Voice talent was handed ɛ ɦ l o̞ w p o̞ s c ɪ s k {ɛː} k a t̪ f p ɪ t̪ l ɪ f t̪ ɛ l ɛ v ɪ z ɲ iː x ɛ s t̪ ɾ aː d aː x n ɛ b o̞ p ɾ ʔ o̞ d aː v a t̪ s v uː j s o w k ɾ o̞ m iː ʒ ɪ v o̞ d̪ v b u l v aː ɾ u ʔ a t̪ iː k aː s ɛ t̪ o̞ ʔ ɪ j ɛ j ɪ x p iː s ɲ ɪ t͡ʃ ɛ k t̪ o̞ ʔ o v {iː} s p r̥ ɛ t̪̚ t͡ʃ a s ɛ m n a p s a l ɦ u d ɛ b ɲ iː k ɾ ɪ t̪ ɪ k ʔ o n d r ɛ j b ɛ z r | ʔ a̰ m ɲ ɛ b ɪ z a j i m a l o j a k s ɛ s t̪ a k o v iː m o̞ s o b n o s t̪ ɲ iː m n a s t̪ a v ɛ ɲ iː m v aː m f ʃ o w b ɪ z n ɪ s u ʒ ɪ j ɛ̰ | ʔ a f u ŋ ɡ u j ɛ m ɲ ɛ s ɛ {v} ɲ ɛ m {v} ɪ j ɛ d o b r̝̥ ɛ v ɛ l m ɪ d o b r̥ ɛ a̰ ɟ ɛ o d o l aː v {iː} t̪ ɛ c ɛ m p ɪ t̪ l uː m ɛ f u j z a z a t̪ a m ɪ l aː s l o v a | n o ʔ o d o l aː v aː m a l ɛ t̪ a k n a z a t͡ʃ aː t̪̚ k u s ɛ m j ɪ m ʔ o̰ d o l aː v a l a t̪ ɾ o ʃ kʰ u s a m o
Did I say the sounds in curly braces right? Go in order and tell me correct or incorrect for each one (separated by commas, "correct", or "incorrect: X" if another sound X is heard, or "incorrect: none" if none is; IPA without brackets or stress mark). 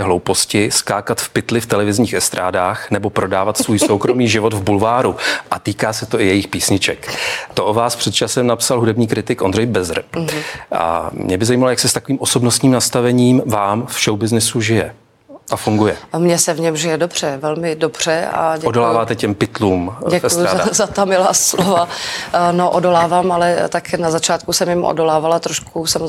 incorrect: aː, incorrect: aː, correct, incorrect: ʒ, incorrect: aː